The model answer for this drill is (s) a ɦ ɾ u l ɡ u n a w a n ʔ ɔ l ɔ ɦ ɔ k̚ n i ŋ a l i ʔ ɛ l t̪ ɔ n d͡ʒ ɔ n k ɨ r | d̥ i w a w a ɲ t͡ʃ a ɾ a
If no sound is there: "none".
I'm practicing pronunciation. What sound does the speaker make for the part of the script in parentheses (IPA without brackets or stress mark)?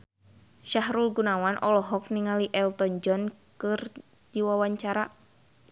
ʃ